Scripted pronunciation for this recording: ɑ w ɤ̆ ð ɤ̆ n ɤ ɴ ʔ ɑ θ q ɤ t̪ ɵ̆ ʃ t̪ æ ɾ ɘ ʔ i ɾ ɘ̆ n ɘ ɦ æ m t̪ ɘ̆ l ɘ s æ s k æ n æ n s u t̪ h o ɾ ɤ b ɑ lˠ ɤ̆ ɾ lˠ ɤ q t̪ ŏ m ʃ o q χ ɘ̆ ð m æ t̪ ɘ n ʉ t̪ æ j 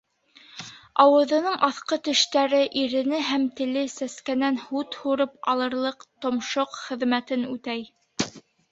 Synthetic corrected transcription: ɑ w ɤ̆ ð ɤ̆ n ɤ ɴ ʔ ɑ θ q ɤ t̪ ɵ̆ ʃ t̪ æ ɾ ɘ ʔ i ɾ ɘ̆ n ɘ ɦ æ m t̪ ɘ̆ l ɘ s æ s k æ n æ n h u t̪ h u ɾ ɤ p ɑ lˠ ɤ̆ ɾ lˠ ɤ q t̪ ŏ m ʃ o q χ ɘ̆ ð m æ t̪ ɘ n ʉ t̪ æ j